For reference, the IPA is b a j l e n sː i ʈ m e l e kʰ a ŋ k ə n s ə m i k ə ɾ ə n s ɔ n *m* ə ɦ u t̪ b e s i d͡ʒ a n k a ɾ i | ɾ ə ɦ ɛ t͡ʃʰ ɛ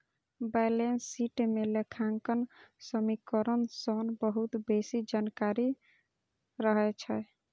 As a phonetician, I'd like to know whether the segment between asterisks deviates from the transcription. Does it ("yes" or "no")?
yes